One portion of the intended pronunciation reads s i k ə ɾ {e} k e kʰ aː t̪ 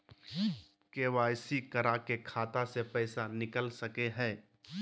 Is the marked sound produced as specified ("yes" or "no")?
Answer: no